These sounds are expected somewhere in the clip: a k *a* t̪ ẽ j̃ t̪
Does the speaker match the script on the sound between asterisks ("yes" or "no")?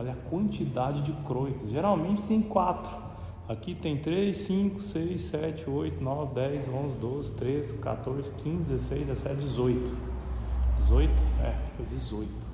no